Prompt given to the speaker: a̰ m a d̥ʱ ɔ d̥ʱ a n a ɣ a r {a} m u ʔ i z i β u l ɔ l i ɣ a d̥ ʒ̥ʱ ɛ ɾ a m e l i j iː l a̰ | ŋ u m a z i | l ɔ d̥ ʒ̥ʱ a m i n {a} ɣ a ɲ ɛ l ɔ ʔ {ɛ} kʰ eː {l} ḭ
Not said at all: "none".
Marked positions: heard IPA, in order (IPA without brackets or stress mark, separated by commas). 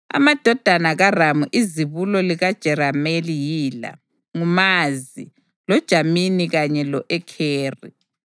a, i, ɛ, r